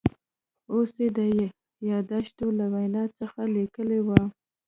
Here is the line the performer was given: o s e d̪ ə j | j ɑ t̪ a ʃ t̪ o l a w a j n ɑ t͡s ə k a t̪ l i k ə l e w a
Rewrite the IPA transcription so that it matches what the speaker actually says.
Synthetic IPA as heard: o s e d̪ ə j | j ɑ d̪ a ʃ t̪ o l a w a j n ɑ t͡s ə x a l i k ə l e w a